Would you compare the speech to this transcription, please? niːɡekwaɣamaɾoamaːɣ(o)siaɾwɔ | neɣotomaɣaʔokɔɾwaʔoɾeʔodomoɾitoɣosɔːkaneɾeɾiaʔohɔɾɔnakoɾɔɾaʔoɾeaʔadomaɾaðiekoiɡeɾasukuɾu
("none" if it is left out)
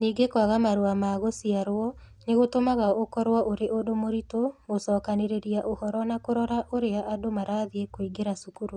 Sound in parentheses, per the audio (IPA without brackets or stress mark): o